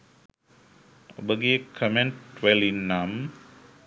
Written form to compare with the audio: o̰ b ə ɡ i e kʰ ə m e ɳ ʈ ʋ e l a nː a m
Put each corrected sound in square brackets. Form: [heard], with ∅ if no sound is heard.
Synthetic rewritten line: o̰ b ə ɡ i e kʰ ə m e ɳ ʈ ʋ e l [i] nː a m

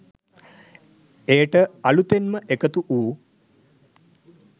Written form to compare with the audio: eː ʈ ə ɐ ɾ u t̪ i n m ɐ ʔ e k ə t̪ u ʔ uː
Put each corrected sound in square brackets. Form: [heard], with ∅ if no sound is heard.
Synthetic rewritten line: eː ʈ ə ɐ [l] u t̪ [e] n m [ə] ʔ e k ə t̪ u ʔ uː

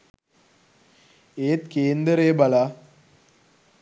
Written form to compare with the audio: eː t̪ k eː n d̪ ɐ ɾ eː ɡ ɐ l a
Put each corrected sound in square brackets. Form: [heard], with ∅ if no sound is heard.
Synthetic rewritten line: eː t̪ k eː n d̪ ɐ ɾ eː [b] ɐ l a

